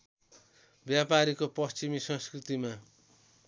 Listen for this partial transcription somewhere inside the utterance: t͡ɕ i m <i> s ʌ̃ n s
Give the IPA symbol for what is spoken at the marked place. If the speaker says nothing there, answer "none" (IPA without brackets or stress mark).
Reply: i